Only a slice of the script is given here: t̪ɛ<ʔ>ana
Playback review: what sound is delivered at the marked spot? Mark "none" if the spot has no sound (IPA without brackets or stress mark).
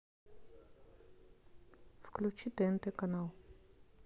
k